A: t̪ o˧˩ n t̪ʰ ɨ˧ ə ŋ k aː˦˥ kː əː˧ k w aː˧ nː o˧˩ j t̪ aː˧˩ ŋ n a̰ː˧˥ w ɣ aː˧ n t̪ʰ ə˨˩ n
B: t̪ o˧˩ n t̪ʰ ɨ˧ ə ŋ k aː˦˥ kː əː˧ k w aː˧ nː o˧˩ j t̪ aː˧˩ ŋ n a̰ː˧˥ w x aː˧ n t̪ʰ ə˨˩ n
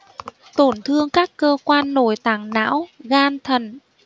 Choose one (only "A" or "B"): A